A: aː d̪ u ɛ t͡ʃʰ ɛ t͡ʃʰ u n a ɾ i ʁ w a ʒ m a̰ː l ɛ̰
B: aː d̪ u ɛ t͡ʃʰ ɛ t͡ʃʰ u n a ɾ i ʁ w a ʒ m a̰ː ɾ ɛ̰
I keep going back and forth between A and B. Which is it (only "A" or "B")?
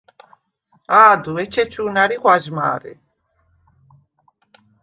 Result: B